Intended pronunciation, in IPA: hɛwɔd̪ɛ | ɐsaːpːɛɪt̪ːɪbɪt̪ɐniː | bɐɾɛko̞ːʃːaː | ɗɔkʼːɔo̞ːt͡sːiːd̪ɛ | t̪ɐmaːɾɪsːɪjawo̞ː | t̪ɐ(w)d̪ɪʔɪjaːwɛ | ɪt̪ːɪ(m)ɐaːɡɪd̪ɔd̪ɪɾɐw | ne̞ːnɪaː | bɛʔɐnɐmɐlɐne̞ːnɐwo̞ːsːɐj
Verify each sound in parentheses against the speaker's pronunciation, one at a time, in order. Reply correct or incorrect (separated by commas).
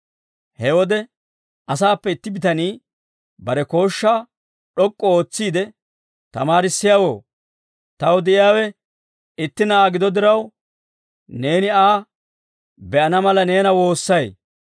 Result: correct, incorrect